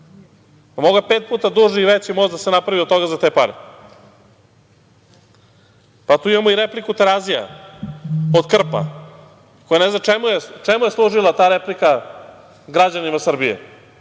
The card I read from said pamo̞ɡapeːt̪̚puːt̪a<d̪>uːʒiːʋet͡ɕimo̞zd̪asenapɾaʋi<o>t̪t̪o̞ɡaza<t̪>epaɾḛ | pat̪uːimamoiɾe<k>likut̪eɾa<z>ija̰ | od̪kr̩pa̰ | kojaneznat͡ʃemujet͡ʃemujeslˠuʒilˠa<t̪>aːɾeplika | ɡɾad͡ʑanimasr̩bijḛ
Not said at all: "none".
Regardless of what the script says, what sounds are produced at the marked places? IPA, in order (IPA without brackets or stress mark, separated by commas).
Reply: d̪, o, t̪, p, z, t̪